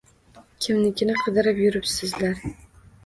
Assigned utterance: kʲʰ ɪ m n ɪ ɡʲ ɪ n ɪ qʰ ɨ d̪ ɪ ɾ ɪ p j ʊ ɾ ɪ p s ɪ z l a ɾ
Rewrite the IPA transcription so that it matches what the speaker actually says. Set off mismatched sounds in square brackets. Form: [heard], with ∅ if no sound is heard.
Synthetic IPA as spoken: kʲʰ ɪ m n ɪ [kʲ] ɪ n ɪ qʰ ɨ d̪ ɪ ɾ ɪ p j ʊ ɾ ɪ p s ɪ z l a ɾ